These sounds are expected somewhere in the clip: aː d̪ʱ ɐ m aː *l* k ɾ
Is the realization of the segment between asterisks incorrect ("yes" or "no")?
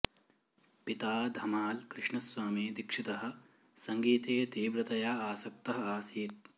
no